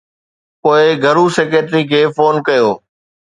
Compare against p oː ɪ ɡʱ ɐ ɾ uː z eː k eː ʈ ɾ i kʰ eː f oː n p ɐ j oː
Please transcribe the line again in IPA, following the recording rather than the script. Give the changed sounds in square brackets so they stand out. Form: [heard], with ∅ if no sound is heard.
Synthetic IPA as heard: p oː ɪ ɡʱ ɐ ɾ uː [s] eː k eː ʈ ɾ i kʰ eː f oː n [k] ɐ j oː